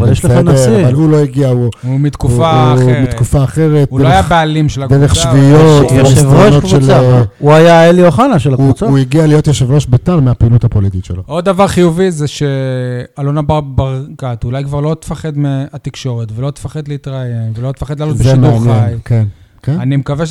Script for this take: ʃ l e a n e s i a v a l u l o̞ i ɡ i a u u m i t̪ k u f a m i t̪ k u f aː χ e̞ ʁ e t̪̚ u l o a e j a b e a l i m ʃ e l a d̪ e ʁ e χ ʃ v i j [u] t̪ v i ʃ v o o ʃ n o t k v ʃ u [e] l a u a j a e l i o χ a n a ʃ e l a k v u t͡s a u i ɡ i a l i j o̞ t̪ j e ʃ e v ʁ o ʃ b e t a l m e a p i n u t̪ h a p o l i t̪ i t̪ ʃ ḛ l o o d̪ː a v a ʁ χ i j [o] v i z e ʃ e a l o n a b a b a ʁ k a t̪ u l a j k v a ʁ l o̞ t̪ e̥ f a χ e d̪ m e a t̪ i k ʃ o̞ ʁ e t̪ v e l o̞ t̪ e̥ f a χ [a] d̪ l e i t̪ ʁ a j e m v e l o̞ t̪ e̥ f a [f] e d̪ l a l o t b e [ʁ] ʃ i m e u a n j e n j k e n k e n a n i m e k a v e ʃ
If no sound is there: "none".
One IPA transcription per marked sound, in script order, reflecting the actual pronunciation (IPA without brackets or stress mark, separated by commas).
o, e, u, e, χ, z